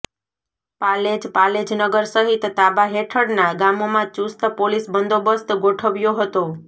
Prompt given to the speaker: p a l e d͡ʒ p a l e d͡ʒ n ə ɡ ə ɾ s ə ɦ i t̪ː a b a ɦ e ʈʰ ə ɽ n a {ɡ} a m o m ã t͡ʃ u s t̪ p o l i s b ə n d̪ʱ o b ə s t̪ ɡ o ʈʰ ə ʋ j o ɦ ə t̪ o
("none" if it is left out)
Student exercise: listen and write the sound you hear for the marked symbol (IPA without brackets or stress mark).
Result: ɡ